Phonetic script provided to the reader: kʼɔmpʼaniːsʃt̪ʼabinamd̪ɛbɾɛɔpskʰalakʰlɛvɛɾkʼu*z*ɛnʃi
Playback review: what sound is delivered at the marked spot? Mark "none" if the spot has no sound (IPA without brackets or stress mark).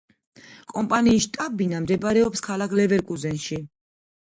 z